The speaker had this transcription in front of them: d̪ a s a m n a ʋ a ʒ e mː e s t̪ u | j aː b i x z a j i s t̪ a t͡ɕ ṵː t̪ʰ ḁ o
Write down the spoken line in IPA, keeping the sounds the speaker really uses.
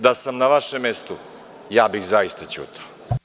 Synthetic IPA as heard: d̪ a s a m n a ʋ a ʃ e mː e s t̪ u | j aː b i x z a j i s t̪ a t͡ɕ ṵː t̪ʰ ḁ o